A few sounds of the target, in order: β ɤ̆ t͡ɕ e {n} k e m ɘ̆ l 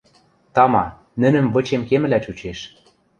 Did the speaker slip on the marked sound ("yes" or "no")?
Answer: yes